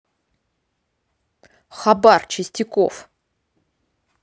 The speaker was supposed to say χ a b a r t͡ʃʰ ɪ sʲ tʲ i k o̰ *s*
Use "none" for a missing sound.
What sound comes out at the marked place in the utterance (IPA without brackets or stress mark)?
f